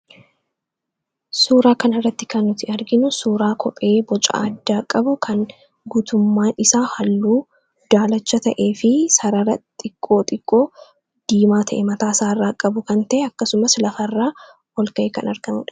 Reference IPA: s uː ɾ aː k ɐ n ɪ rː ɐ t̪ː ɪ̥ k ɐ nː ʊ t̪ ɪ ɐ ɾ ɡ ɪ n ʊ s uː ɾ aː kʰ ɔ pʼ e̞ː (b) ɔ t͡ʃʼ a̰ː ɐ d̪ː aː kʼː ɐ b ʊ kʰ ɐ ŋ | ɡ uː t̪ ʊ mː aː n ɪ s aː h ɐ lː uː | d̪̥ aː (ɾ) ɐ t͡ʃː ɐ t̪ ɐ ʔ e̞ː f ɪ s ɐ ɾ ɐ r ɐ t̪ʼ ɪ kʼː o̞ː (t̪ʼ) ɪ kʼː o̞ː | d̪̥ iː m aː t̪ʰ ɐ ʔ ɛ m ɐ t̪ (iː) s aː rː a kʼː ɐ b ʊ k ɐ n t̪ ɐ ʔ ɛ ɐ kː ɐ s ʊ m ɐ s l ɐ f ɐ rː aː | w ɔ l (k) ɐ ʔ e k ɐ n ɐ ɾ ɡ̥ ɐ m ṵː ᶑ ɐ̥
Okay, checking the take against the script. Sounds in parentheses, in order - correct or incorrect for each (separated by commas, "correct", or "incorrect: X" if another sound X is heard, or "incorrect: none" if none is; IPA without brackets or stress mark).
correct, incorrect: l, correct, incorrect: aː, correct